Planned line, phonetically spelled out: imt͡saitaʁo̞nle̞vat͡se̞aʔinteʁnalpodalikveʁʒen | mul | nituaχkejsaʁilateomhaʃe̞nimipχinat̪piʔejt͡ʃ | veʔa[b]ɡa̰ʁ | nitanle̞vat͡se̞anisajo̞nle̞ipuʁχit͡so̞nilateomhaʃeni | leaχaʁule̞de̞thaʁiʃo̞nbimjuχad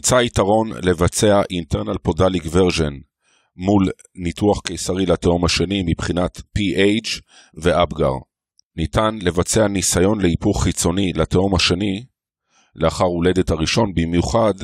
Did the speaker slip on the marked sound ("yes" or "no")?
no